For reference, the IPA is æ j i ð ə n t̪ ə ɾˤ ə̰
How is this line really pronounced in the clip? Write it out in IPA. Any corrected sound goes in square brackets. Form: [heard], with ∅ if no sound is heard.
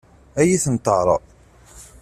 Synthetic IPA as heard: æ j i [θ] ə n t̪ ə ɾˤ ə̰